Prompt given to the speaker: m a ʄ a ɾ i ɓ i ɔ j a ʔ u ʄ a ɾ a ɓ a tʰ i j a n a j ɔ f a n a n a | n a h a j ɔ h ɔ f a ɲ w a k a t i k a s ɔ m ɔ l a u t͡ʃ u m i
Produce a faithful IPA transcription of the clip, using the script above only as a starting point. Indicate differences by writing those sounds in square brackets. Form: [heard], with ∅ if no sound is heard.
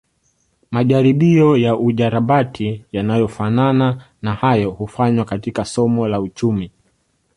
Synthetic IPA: m a ʄ a ɾ i ɓ i ɔ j a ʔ u ʄ a ɾ a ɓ a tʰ i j a n a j ɔ f a n a n a | n a h a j ɔ h [u] f a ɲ w a k a t i k a s ɔ m ɔ l a u t͡ʃ u m i